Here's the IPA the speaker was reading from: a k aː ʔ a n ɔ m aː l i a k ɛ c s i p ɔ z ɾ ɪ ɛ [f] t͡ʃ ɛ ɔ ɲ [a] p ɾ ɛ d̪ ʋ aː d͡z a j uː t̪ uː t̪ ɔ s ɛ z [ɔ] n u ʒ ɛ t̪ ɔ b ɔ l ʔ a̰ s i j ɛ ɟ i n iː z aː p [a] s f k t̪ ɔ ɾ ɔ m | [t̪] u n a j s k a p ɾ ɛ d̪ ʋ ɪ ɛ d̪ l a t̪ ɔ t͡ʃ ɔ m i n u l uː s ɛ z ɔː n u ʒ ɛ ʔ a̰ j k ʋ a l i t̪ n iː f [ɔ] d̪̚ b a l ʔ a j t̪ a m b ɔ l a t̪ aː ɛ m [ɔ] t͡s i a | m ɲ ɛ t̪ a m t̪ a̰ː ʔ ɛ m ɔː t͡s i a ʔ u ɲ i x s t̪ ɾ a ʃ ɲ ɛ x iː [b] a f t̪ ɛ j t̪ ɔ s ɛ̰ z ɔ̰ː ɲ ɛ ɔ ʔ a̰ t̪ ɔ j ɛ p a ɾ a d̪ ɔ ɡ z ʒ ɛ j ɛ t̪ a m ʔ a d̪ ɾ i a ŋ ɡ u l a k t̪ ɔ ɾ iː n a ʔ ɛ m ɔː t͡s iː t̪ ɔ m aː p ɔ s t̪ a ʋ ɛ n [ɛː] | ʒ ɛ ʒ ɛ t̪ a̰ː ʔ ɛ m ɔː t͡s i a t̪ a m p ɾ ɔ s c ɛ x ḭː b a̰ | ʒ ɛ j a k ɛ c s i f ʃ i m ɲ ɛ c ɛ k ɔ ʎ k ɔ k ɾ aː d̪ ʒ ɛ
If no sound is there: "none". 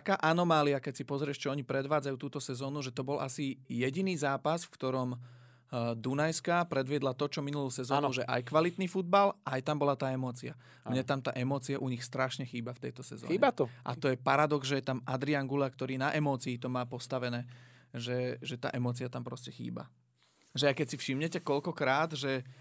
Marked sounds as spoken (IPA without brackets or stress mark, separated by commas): ʃ, i, ɔː, a, d̪, u, ɔː, b, ɛː